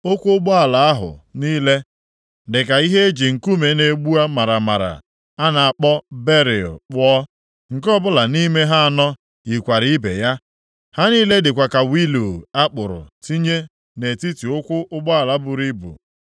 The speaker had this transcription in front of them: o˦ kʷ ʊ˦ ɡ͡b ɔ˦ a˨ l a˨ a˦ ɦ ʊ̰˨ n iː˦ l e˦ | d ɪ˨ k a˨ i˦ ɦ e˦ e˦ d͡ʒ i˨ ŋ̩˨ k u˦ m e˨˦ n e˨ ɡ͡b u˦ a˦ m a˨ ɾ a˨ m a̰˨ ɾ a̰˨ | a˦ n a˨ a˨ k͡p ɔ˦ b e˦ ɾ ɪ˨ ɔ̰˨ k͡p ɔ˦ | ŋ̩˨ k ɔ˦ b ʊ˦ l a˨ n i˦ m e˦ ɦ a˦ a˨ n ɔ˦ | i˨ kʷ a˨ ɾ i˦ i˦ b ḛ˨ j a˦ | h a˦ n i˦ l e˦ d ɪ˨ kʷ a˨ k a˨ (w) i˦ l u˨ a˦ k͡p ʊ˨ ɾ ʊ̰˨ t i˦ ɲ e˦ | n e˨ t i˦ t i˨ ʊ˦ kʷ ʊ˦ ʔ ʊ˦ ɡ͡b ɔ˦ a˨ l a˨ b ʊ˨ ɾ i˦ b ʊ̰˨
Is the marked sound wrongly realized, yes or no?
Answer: no